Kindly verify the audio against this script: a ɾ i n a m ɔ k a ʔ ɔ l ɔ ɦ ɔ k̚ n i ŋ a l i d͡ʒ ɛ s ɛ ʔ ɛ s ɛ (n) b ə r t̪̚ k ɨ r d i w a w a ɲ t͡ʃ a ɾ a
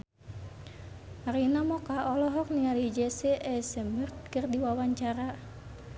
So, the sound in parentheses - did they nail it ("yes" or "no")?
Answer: no